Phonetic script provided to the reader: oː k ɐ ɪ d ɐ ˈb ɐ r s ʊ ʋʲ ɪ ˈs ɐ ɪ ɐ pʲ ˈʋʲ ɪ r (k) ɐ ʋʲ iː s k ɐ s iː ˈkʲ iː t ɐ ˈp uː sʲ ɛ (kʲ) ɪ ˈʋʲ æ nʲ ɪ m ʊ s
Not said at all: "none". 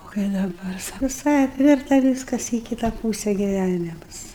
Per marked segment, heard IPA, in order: t, ɡʲ

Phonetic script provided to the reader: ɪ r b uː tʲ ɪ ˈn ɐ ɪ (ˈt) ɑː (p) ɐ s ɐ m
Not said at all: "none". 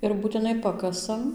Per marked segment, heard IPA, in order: p, k

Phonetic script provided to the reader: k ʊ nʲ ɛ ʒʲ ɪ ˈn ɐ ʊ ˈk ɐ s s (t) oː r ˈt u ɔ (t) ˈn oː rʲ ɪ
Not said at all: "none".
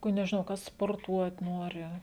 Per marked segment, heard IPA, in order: p, t

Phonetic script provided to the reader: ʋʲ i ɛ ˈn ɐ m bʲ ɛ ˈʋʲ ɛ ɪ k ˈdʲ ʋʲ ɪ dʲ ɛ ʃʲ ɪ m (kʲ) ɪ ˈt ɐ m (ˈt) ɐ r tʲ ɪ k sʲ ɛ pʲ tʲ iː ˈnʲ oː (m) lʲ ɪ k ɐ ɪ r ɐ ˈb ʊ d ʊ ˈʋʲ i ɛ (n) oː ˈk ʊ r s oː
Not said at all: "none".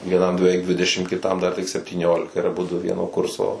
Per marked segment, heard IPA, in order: kʲ, d, none, n

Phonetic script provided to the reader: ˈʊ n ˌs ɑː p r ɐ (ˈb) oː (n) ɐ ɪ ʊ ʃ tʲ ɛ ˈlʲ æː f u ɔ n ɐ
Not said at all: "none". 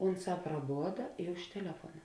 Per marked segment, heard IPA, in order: b, d

